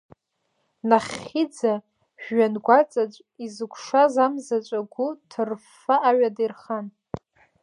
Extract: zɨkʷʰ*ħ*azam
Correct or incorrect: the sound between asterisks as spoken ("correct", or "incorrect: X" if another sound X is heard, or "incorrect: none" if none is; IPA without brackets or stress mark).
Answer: incorrect: ʂ